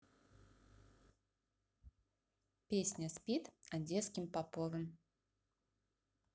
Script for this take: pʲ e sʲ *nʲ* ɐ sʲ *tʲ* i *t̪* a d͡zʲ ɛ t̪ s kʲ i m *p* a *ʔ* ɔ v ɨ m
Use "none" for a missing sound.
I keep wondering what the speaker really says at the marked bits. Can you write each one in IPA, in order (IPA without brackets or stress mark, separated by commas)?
nʲ, pʲ, t̪, p, p